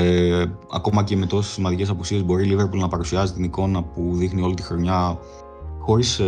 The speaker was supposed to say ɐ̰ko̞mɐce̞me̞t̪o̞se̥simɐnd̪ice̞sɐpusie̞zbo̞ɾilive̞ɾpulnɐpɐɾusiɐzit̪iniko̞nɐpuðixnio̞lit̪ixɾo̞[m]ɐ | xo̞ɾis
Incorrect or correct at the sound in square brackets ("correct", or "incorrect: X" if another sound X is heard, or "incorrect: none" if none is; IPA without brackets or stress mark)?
incorrect: ɲ